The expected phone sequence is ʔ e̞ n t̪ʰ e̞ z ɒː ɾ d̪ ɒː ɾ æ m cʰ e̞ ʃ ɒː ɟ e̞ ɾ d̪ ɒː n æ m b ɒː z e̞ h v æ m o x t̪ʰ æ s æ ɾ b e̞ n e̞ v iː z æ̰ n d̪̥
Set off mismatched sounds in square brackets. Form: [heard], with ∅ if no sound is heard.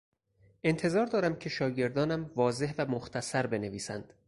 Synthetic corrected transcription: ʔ e̞ n t̪ʰ e̞ z ɒː ɾ d̪ ɒː ɾ æ m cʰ e̞ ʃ ɒː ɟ e̞ ɾ d̪ ɒː n æ m [v] ɒː z e̞ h v æ m o x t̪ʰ æ s æ ɾ b e̞ n e̞ v iː [s] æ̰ n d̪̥